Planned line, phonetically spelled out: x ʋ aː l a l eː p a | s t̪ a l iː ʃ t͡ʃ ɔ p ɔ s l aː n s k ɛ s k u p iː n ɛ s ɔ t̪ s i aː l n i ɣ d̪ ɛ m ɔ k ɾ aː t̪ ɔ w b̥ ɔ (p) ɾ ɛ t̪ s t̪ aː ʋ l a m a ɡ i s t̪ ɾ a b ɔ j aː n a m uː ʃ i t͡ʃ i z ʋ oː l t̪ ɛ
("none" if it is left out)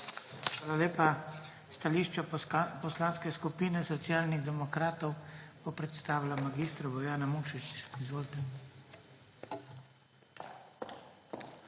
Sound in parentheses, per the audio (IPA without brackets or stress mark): p